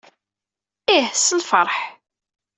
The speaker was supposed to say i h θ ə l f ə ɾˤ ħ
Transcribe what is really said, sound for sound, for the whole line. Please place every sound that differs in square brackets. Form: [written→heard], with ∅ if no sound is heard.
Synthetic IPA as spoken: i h [θ→s] ə l f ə ɾˤ ħ